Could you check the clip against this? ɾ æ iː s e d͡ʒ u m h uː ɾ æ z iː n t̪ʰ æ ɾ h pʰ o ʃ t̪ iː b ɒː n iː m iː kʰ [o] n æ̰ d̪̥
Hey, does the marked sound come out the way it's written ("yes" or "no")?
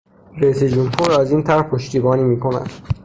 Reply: yes